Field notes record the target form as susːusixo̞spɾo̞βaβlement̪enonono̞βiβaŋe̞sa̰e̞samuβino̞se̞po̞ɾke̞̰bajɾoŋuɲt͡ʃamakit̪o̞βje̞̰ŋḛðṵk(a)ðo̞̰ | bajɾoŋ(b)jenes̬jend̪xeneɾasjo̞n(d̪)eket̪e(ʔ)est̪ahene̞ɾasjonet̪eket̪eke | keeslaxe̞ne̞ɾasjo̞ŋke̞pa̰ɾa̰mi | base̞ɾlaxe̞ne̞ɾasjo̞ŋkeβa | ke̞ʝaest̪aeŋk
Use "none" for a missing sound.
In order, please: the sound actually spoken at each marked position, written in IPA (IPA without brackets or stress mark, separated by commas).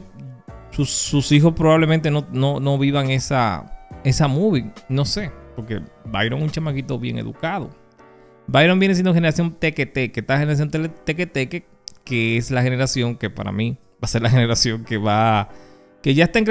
a, b, t̪, k